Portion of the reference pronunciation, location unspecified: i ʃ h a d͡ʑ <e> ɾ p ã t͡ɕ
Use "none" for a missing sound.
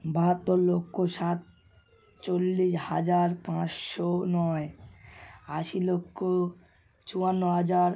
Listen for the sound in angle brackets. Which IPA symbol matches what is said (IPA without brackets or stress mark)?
a